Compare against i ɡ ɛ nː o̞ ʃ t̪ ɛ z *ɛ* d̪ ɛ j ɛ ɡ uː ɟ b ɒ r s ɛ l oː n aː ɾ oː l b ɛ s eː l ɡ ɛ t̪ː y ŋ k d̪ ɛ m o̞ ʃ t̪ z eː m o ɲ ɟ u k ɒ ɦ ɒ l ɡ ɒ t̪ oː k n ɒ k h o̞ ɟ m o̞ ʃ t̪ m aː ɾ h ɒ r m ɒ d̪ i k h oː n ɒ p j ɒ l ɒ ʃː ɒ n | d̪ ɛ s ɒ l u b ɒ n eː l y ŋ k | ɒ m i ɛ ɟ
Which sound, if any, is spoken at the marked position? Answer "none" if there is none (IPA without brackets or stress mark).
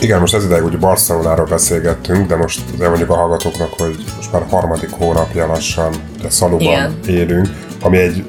i